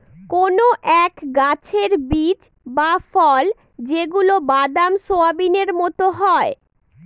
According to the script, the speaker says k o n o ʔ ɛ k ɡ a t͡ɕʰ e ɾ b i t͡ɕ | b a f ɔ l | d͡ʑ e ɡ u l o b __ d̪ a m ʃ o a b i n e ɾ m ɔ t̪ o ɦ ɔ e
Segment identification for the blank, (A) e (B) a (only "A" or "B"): B